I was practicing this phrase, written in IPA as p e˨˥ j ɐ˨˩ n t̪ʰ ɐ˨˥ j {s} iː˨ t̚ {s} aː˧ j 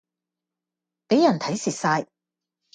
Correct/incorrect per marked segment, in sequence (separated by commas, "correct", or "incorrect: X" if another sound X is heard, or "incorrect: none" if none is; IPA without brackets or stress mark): correct, correct